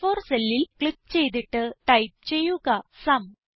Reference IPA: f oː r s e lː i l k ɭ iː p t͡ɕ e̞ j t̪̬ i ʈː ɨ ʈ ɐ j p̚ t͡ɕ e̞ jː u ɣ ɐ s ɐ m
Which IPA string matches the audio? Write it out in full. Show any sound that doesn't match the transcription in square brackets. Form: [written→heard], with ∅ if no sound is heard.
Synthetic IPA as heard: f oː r s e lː i l k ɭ [iː→i] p t͡ɕ e̞ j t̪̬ i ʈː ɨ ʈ ɐ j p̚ t͡ɕ e̞ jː u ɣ ɐ s ɐ m